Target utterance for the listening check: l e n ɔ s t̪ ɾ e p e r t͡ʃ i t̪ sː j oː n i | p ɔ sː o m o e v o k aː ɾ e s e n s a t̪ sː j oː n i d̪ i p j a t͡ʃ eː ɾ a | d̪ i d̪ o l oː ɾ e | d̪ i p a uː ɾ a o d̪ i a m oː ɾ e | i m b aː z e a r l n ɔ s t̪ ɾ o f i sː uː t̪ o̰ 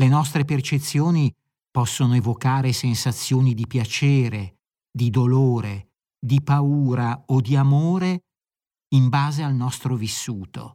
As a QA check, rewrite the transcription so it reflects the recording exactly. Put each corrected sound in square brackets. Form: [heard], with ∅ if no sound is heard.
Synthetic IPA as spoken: l e n ɔ s t̪ ɾ e p e r t͡ʃ [e] t̪ sː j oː n i | p ɔ sː o [n] o e v o k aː ɾ e s e n s a t̪ sː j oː n i d̪ i p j a t͡ʃ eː ɾ [e] | d̪ i d̪ o l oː ɾ e | d̪ i p a uː ɾ a o d̪ i a m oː ɾ e | i m b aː z e a [∅] l n ɔ s t̪ ɾ o [v] i sː uː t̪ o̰